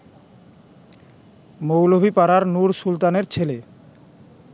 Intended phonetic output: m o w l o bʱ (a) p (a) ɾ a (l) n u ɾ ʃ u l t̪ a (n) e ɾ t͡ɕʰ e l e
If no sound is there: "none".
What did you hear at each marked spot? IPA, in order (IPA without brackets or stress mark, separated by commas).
i, a, ɾ, n